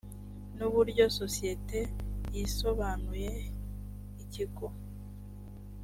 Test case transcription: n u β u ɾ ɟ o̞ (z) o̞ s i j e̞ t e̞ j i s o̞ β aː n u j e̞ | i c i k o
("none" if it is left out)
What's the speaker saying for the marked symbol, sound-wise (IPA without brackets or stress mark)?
s